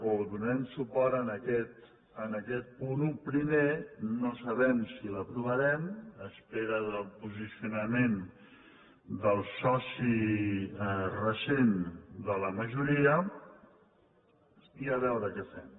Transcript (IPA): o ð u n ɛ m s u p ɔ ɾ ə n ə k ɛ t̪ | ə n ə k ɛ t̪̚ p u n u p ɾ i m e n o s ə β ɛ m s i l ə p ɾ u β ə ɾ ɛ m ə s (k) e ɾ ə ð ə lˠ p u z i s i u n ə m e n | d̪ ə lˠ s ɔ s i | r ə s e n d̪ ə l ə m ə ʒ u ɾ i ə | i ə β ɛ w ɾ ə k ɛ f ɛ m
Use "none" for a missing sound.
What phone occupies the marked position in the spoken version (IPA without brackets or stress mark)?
p